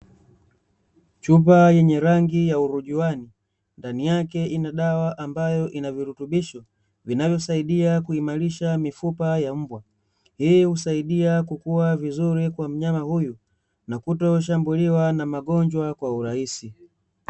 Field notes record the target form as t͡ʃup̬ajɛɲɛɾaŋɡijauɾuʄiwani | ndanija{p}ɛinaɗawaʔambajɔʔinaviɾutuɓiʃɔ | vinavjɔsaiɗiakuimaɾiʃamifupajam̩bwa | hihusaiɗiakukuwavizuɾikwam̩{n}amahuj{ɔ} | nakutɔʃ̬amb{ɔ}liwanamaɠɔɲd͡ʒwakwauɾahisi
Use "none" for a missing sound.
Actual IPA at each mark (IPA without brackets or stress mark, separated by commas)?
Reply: k, ɲ, u, u